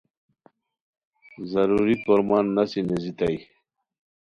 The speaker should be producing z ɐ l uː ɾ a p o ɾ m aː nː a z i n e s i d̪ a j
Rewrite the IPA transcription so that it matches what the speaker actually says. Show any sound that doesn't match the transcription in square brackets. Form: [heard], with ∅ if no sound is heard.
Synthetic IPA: z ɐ [ɾ] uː ɾ [i] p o ɾ m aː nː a [s] i n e [z] i [t̪] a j